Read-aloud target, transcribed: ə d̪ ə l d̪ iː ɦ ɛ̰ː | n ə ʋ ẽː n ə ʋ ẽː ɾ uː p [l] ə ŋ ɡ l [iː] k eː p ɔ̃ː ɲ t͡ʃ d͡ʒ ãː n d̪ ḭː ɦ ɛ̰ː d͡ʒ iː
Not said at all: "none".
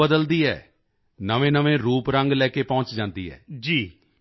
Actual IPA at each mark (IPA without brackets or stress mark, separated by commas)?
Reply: ɾ, ɛː